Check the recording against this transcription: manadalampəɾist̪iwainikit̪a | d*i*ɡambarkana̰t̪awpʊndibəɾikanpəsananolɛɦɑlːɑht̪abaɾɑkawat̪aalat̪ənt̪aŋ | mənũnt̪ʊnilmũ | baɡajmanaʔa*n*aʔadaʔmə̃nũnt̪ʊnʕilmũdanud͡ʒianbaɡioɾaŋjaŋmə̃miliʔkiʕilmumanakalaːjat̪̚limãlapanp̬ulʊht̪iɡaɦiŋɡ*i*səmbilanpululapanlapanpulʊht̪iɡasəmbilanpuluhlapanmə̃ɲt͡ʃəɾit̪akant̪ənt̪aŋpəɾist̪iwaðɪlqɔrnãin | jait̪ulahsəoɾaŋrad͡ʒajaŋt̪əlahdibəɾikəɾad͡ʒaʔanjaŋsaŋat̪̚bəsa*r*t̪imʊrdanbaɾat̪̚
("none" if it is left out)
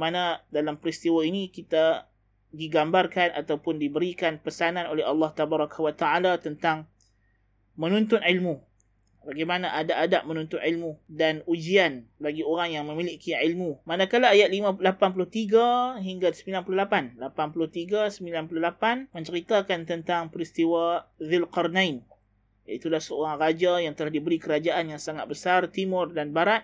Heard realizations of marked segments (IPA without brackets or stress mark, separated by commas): i, d, a, r